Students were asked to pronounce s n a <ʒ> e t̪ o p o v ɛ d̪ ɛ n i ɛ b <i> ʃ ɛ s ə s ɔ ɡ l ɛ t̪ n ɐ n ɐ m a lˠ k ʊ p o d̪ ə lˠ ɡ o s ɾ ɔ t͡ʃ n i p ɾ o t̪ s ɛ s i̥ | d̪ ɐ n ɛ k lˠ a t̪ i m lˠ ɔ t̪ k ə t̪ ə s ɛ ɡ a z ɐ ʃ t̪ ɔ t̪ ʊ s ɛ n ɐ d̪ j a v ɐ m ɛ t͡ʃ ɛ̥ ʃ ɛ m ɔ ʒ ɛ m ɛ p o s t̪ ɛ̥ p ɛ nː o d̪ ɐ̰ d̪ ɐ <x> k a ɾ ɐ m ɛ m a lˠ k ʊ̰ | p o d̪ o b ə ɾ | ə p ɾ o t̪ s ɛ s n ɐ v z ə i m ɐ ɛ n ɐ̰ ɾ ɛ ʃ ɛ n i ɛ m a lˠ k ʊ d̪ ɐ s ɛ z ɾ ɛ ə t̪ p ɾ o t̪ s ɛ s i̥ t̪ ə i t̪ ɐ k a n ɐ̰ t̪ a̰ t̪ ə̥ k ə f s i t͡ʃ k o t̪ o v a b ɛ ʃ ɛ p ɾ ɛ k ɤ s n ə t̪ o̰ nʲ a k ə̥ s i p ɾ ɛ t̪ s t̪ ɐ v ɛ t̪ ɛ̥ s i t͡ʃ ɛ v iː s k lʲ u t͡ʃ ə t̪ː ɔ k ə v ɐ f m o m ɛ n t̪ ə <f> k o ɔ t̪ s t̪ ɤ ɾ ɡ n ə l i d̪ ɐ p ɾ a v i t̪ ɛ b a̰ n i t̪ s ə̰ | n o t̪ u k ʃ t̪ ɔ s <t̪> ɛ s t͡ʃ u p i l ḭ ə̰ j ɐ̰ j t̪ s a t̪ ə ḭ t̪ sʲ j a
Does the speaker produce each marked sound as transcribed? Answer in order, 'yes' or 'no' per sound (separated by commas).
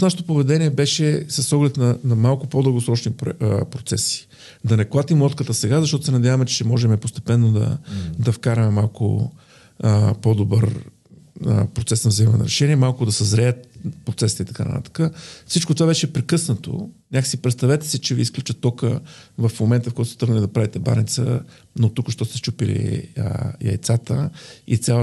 no, no, no, yes, yes